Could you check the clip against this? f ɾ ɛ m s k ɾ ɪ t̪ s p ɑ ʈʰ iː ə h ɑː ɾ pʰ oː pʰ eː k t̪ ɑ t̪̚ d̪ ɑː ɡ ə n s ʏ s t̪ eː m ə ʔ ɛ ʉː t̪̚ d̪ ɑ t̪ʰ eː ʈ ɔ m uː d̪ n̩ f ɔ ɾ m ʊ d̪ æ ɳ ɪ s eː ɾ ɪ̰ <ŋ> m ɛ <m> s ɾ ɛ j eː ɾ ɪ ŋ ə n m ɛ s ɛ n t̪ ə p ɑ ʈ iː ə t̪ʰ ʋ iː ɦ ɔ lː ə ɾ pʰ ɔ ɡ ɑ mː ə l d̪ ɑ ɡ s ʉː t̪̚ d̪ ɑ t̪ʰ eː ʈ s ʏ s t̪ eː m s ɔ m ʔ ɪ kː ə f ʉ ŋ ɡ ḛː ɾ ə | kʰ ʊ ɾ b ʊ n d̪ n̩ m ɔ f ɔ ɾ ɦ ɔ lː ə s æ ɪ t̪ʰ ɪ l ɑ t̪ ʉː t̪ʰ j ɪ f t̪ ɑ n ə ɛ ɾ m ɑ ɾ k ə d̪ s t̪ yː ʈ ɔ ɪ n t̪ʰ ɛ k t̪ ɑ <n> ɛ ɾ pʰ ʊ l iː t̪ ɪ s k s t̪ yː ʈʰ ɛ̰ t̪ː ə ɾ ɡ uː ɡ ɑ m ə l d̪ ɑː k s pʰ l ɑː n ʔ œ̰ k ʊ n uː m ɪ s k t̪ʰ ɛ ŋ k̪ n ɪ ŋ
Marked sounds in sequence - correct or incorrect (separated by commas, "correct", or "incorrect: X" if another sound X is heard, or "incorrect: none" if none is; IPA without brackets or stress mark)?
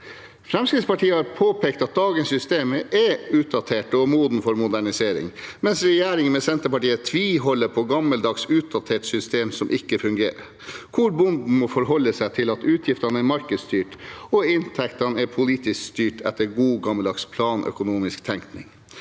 correct, incorrect: n, correct